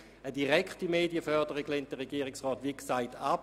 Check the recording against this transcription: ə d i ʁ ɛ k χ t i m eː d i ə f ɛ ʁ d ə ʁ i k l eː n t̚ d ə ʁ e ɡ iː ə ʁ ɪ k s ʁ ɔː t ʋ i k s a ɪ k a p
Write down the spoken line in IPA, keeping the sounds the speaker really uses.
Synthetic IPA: ə d i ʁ ɛ k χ t i m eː d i ə f œ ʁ d ə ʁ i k l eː n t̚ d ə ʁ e ɡ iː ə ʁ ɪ k s ʁ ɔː t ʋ i k s a ɪ t a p